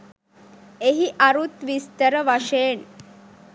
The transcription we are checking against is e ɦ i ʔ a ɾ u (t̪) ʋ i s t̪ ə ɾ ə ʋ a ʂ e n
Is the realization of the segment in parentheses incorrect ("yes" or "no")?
no